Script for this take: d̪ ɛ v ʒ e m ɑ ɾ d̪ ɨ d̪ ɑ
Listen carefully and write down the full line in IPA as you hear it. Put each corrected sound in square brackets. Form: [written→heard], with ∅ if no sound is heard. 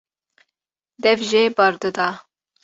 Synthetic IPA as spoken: d̪ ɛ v ʒ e [m→b] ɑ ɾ d̪ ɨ d̪ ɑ